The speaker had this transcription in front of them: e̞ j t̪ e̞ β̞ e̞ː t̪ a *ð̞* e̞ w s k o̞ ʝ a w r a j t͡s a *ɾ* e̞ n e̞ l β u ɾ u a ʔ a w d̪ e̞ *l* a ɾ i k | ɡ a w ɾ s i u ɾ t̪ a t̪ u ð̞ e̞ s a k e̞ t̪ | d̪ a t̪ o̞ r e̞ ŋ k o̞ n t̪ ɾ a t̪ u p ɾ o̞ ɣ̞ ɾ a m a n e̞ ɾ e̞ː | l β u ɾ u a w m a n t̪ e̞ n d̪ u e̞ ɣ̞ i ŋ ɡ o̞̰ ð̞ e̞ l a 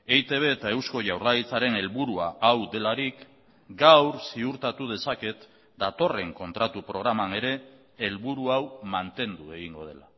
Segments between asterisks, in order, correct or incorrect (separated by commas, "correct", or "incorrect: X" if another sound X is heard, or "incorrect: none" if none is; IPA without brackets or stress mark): incorrect: none, correct, correct